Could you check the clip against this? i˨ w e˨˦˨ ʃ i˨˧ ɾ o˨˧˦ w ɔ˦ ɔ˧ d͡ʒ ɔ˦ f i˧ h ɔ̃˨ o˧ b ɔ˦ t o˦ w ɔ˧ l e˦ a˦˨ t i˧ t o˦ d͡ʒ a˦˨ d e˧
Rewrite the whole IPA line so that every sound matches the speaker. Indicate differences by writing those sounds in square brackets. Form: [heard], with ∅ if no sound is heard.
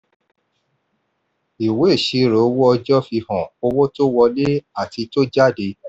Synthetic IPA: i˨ w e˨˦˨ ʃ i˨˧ ɾ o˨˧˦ w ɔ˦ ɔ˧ d͡ʒ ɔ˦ f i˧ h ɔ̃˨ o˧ [w] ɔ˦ t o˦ w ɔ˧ l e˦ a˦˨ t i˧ t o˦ d͡ʒ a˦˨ d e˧